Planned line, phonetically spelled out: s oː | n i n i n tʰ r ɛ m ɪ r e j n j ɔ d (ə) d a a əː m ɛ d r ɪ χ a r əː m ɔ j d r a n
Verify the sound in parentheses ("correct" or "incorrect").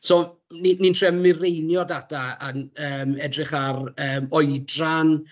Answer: incorrect